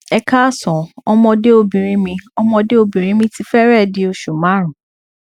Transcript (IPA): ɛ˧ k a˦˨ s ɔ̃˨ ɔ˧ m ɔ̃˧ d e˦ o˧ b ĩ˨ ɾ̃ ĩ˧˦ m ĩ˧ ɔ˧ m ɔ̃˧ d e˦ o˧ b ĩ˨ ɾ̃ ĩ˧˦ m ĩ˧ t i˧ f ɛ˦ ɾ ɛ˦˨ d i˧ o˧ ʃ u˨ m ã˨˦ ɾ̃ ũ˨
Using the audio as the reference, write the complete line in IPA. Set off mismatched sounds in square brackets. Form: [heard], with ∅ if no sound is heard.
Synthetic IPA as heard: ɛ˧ k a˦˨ s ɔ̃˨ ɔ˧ m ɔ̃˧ d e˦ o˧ b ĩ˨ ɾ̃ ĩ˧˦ m ĩ˧ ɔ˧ m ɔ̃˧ d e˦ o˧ b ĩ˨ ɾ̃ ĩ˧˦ m ĩ˧ t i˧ f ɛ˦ ɾ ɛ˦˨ d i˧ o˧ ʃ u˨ m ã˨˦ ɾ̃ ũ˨

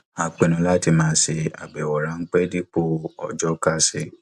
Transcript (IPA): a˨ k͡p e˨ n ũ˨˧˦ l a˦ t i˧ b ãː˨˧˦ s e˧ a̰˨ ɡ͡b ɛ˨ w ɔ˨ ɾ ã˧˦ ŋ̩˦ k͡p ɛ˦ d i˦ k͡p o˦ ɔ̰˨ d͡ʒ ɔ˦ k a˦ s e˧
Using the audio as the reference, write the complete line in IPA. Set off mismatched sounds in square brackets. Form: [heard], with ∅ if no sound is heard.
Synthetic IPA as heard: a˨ k͡p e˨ n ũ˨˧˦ l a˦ t i˧ [m] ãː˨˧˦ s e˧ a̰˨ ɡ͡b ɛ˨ w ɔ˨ ɾ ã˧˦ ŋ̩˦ k͡p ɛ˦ d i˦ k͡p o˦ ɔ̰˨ d͡ʒ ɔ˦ k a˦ s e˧

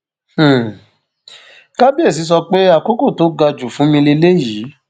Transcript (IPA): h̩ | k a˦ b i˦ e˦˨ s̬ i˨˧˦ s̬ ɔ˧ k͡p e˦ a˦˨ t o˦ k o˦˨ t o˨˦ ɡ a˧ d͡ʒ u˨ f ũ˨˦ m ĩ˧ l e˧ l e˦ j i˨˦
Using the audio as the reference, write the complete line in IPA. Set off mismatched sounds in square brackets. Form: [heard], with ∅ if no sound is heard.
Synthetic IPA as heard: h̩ | k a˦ b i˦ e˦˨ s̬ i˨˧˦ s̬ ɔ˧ k͡p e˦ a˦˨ [k] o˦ k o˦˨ t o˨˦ ɡ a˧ d͡ʒ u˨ f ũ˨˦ m ĩ˧ l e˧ l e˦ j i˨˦

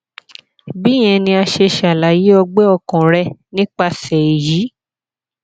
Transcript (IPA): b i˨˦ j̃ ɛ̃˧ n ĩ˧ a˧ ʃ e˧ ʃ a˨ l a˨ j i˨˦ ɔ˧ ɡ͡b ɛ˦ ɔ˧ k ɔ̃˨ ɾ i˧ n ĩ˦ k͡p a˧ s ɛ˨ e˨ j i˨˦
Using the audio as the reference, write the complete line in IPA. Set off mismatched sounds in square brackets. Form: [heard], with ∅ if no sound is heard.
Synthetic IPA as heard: b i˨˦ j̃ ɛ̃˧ n ĩ˧ a˧ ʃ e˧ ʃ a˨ l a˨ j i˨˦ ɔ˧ ɡ͡b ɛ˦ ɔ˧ k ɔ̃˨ ɾ [ɛ˧] n ĩ˦ k͡p a˧ s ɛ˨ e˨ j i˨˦

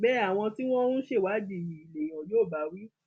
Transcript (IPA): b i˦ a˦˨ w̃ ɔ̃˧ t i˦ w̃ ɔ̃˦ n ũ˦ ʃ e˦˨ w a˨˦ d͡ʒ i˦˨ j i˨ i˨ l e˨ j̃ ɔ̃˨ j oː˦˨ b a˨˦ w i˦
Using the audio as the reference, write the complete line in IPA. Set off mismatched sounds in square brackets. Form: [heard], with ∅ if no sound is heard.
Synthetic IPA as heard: b [ɛ˦] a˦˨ w̃ ɔ̃˧ t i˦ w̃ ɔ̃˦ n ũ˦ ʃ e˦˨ w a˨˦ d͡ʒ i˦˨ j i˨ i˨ l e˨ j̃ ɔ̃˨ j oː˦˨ b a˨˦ w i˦

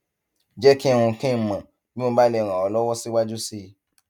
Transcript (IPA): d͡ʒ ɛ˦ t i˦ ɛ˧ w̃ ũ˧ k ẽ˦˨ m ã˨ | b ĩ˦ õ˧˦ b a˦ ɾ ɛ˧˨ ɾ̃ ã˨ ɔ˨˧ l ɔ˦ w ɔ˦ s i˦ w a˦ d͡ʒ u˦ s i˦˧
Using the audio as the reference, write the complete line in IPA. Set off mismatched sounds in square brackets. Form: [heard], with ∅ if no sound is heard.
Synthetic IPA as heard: d͡ʒ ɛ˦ [k] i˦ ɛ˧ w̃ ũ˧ k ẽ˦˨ m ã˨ | b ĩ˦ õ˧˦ b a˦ [l] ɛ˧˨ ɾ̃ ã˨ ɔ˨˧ l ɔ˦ w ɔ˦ s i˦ w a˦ d͡ʒ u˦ s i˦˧

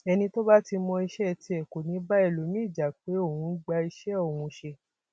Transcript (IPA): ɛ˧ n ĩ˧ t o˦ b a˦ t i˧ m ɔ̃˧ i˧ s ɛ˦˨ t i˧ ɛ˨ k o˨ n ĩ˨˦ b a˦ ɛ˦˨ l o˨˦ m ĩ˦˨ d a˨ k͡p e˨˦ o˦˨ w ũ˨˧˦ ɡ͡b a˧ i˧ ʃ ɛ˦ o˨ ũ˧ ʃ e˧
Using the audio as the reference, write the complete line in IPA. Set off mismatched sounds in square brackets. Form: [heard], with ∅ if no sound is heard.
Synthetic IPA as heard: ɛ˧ n ĩ˧ t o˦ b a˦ t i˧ m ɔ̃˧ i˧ [ʃ] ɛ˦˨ t i˧ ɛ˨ k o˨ n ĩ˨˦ b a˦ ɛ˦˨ l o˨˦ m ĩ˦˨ [d͡ʒ] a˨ k͡p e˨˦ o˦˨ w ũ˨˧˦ ɡ͡b a˧ i˧ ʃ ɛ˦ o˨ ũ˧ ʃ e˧

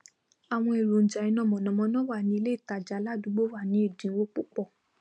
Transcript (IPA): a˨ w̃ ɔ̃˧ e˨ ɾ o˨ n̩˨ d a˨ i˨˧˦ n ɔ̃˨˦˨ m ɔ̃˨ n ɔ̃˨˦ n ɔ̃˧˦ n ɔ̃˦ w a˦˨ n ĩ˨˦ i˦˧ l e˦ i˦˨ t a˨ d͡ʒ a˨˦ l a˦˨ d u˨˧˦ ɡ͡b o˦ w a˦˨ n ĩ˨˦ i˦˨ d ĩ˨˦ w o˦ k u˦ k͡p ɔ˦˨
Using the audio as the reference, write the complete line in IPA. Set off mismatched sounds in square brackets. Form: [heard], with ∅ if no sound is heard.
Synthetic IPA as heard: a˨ w̃ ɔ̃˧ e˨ ɾ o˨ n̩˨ [d͡ʒ] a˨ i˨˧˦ n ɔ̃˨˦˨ m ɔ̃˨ n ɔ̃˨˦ [m] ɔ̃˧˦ n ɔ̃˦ w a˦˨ n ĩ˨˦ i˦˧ l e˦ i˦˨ t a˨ d͡ʒ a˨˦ l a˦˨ d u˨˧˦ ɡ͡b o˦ w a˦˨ n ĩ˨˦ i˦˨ d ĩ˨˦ w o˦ [k͡p] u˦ k͡p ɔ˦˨

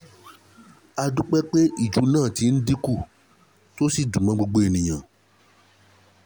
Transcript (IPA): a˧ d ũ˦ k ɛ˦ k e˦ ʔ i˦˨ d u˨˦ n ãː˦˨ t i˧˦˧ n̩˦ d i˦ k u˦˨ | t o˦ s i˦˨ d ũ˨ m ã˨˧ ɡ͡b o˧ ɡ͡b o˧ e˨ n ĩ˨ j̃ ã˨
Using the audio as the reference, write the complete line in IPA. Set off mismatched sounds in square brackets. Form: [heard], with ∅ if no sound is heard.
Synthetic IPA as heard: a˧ d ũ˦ [k͡p] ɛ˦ [k͡p] e˦ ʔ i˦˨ [d͡ʒ] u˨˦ n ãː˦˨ t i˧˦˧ n̩˦ d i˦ k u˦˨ | t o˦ s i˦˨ d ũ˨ m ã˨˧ ɡ͡b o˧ ɡ͡b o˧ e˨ n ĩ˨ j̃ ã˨

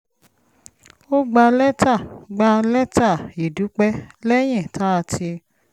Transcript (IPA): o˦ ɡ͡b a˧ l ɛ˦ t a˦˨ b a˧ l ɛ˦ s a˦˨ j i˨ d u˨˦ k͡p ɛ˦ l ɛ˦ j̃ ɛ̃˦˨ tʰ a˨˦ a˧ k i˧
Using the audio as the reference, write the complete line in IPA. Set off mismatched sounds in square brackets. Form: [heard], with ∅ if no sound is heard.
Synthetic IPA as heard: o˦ ɡ͡b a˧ l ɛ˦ t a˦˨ [ɡ͡b] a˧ l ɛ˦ [t] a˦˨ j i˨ d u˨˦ k͡p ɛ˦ l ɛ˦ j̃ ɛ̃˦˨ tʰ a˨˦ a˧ [t] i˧

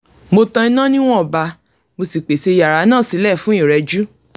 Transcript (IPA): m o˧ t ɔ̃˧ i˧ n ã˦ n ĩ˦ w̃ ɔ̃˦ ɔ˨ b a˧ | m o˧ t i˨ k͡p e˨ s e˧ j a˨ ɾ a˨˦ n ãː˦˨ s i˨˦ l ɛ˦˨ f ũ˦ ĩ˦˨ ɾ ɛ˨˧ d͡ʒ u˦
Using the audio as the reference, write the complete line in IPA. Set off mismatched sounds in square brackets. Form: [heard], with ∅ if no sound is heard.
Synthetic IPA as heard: m o˧ t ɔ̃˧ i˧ n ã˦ n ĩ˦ w̃ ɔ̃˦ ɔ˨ b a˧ | m o˧ [s] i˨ k͡p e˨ s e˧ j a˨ ɾ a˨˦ n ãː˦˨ s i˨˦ l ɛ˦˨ f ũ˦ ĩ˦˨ ɾ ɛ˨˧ d͡ʒ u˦

